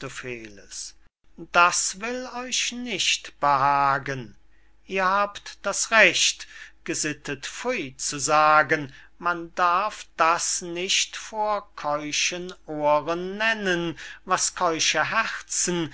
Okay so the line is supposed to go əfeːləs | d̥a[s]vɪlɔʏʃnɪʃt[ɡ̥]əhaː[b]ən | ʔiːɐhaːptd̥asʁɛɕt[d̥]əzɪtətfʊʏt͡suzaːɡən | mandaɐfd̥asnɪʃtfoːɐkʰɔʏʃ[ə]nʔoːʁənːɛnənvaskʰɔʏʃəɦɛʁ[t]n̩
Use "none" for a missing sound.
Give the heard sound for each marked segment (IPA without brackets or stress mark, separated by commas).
s, b̥, ɡ, ɡ̥, ə, t͡s